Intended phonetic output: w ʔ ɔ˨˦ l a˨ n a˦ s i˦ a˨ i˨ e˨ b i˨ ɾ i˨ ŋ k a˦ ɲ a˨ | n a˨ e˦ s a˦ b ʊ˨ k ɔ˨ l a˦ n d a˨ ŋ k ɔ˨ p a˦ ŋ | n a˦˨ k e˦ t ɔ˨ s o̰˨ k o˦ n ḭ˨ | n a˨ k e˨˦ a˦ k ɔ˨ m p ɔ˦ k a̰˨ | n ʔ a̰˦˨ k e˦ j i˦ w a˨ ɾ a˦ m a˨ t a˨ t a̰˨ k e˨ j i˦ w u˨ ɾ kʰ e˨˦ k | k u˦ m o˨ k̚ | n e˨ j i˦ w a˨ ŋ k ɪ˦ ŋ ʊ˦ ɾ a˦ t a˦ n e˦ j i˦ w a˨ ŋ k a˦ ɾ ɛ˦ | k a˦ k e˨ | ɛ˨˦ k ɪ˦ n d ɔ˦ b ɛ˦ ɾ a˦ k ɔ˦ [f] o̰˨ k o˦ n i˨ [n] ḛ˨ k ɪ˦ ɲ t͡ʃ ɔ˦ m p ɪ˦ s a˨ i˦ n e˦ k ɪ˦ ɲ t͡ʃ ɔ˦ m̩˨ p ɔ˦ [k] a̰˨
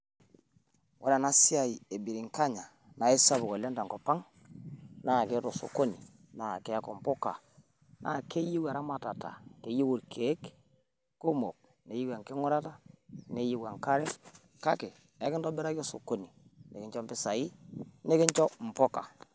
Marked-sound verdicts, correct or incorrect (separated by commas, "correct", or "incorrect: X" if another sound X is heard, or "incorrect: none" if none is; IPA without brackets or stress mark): incorrect: s, correct, correct